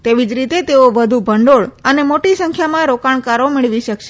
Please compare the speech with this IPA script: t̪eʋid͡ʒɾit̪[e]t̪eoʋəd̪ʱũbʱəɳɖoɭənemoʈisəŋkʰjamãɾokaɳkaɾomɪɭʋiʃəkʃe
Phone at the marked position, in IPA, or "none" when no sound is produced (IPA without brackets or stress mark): e